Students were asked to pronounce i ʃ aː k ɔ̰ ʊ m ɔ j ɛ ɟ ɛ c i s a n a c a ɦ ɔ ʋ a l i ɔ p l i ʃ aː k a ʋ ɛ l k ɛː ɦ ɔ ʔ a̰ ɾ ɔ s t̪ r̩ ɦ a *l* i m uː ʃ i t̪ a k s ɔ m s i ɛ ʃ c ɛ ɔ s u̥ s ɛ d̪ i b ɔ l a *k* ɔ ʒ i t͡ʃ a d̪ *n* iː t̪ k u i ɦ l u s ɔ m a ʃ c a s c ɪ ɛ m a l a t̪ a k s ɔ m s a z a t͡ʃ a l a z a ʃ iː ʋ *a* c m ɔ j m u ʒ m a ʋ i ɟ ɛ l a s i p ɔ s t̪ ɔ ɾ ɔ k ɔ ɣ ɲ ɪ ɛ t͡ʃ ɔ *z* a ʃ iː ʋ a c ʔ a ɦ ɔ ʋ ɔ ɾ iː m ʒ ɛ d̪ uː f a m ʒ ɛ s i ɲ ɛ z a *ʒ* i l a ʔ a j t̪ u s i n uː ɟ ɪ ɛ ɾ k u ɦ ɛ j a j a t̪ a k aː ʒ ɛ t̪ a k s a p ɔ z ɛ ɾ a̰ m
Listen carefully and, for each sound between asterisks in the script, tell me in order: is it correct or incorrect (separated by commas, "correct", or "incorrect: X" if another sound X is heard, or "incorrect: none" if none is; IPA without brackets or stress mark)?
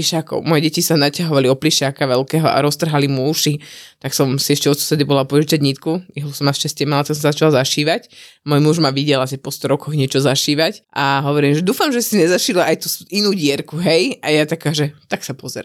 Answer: correct, incorrect: p, incorrect: ɲ, correct, correct, incorrect: ʃ